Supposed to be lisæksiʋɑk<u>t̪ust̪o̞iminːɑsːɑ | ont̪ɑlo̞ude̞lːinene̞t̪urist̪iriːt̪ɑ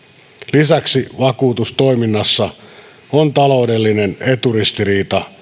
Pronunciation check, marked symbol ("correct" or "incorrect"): incorrect